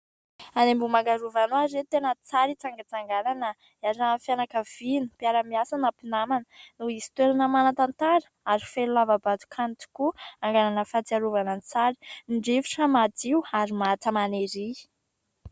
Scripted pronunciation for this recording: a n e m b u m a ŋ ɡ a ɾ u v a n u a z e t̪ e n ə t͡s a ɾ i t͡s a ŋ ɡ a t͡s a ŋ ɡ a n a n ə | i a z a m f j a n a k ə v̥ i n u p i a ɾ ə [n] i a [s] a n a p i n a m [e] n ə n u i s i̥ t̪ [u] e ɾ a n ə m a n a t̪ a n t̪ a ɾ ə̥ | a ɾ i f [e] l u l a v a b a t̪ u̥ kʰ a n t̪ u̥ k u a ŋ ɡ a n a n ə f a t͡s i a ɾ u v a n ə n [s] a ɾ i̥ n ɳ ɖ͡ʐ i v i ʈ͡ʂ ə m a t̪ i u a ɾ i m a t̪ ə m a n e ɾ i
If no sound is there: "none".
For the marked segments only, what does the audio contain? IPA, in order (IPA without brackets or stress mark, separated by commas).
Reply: m, s, a, w, e, t͡s